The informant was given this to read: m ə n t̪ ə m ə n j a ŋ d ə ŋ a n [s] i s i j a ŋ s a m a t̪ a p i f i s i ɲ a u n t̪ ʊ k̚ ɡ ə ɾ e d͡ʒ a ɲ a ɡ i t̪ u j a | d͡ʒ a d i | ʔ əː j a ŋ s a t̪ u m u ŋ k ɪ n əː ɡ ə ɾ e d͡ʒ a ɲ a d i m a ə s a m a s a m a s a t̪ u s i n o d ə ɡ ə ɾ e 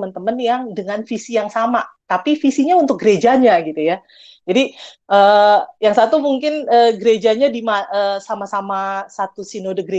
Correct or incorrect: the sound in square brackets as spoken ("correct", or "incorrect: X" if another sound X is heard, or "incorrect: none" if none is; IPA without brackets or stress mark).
incorrect: f